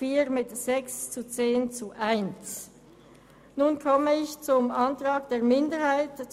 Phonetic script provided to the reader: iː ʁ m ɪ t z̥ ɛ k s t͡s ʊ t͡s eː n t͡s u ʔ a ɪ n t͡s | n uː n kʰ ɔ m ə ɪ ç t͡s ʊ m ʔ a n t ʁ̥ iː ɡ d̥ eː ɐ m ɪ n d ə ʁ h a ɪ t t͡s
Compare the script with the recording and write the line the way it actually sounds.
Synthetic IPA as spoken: iː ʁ m ɪ t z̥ ɛ k s t͡s u t͡s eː n t͡s u ʔ a ɪ n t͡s | n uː n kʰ ɔ m ə ɪ ç t͡s ʊ m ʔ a n t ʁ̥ aː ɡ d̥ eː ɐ m ɪ n d ə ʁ h a ɪ t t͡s